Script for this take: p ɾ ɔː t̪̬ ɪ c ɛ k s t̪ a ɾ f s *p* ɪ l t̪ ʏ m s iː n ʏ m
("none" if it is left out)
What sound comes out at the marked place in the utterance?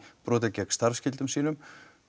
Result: c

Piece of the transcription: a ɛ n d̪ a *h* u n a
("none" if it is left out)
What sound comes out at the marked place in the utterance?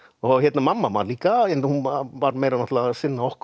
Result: h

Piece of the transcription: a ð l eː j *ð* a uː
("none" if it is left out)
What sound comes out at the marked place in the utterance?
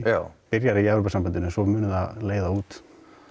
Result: ð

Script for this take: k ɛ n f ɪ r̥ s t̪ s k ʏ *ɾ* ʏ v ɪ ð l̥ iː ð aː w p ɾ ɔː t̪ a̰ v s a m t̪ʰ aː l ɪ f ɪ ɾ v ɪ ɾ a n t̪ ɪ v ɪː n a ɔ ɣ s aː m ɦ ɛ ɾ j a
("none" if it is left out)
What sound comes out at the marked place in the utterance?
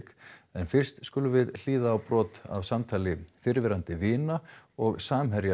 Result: l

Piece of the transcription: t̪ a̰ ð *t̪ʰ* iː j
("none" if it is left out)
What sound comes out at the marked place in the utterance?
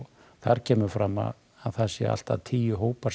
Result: t̪ʰ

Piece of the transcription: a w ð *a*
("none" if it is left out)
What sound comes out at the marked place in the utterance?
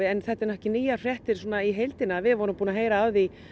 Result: i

